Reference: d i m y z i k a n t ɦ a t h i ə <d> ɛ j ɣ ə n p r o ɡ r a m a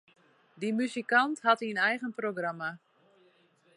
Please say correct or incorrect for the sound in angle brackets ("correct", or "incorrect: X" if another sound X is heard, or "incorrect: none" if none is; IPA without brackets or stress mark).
incorrect: n